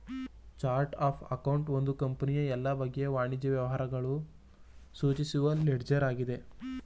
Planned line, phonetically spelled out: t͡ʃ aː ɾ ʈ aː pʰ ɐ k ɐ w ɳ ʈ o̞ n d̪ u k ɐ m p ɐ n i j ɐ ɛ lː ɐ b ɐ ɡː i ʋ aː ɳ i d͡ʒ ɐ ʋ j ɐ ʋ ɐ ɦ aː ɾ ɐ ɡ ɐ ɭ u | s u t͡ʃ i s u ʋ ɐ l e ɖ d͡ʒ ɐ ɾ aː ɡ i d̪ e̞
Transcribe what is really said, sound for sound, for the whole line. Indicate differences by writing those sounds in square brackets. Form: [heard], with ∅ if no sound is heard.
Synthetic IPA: t͡ʃ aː ɾ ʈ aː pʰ ɐ k ɐ w ɳ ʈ o̞ n d̪ u k ɐ m p ɐ n i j ɐ ɛ lː ɐ b ɐ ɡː [e] ʋ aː ɳ i d͡ʒ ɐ ʋ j ɐ ʋ ɐ ɦ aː ɾ ɐ ɡ ɐ ɭ u | s [uː] t͡ʃ i s u ʋ ɐ l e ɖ d͡ʒ ɐ ɾ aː ɡ i d̪ e̞